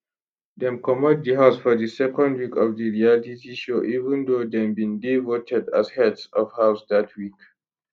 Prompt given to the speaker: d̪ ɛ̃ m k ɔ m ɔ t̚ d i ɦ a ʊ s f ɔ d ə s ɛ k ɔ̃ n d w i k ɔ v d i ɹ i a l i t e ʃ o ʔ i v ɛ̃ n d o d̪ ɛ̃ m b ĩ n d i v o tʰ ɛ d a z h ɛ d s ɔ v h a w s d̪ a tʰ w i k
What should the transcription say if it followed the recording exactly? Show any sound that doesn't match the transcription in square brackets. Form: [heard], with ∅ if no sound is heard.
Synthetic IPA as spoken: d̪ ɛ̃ m k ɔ m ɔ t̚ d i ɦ a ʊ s f ɔ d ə s ɛ k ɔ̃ n d w i k ɔ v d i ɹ i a l i t [i] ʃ o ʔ i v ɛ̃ n d o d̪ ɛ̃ m b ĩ n d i v o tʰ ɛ d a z h ɛ d s ɔ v h a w s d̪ a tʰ w i k